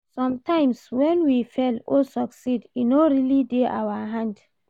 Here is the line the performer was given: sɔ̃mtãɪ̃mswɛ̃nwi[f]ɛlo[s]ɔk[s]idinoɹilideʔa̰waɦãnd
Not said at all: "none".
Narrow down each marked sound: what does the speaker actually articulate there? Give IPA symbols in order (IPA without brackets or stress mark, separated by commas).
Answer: f, s, s